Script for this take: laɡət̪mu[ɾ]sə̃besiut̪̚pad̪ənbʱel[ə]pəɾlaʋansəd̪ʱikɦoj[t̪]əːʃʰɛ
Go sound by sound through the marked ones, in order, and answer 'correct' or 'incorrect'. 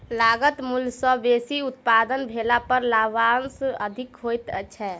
incorrect, incorrect, correct

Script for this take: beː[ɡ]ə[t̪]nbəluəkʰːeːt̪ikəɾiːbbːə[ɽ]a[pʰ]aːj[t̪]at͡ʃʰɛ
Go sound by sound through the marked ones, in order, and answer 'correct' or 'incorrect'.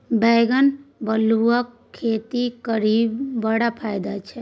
correct, incorrect, correct, correct, incorrect

